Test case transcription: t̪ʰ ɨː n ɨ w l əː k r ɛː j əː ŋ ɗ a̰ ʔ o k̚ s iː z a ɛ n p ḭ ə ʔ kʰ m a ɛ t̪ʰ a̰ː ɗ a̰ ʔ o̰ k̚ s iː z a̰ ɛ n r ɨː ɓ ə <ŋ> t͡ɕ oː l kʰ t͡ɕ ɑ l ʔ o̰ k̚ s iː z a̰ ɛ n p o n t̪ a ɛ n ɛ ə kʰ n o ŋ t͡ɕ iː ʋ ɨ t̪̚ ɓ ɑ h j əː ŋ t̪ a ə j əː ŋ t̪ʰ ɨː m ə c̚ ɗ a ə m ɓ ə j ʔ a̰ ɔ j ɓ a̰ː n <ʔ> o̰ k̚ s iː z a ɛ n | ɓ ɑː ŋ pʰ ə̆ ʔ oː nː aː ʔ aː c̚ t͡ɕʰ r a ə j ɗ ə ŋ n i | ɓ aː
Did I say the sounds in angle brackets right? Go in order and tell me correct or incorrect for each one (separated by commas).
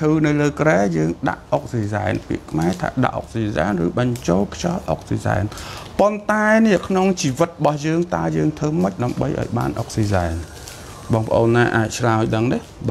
incorrect, correct